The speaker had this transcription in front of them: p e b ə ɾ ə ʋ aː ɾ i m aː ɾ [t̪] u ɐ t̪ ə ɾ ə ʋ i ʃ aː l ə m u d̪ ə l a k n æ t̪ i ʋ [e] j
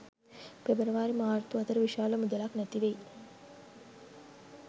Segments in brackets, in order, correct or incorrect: correct, correct

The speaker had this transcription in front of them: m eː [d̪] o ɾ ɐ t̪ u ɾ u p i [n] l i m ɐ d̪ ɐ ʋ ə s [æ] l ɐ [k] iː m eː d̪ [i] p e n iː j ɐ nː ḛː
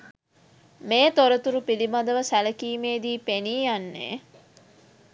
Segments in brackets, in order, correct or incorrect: incorrect, incorrect, correct, correct, incorrect

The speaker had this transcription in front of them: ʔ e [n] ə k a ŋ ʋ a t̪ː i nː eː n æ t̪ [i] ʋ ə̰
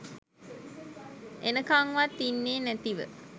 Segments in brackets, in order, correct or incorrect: correct, correct

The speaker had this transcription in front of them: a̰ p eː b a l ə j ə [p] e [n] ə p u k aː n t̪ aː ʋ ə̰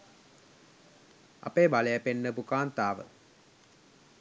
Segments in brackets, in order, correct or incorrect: correct, incorrect

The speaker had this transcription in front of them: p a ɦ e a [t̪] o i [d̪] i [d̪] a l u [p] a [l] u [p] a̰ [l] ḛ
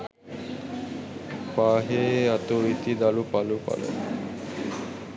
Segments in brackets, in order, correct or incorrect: correct, incorrect, correct, correct, correct, correct, correct

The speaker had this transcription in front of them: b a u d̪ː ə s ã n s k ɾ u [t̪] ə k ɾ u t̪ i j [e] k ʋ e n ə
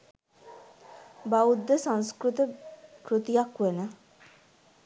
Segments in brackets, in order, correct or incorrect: correct, incorrect

